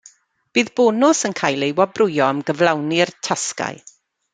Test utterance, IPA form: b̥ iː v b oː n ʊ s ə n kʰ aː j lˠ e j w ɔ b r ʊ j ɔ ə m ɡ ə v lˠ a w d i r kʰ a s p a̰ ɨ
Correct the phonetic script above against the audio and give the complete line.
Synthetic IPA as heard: b̥ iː ð b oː n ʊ s ə n kʰ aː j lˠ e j w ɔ b r ʊ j ɔ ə m ɡ ə v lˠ a w n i r tʰ a s k a̰ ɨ